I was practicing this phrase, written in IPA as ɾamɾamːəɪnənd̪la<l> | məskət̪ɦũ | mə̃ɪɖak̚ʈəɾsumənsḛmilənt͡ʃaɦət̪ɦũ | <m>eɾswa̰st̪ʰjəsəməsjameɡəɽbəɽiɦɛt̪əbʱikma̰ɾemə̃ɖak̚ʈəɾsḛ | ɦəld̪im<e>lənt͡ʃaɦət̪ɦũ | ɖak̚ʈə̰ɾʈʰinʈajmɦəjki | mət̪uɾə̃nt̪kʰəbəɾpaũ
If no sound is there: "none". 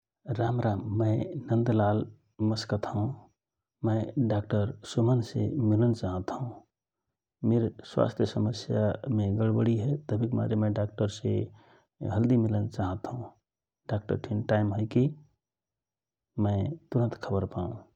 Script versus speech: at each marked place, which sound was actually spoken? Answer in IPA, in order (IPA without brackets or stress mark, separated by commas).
l, m, i